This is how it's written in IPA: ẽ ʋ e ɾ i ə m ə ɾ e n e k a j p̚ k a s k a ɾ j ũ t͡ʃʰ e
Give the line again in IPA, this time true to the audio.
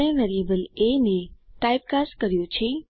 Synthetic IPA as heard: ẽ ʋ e ɾ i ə b ə l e n e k a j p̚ k a s k ə ɾ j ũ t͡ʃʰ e